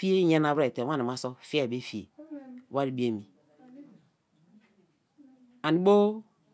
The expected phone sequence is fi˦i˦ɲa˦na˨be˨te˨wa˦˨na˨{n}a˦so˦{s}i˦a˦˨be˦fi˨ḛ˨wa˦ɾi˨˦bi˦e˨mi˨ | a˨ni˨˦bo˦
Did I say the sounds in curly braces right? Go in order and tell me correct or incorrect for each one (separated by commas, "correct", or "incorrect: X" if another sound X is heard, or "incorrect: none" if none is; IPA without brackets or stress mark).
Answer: incorrect: m, incorrect: f